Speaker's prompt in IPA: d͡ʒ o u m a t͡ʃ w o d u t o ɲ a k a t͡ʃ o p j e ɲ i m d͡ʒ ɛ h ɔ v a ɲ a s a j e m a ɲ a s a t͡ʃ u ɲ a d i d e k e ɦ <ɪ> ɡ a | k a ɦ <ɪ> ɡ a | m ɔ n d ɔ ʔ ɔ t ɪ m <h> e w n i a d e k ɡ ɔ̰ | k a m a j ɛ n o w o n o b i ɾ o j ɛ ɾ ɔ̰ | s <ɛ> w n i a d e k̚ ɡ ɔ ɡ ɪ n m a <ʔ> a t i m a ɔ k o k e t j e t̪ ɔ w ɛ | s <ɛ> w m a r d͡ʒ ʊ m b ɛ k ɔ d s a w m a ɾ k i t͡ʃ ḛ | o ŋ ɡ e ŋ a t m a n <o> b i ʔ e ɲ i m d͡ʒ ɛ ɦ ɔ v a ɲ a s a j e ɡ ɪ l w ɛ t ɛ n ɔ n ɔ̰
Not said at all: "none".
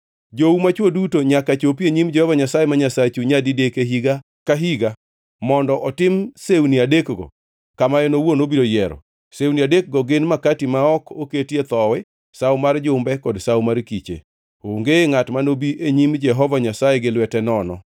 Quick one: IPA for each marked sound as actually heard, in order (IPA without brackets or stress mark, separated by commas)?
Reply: i, i, s, e, k, a, o